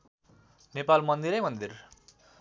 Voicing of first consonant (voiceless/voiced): voiced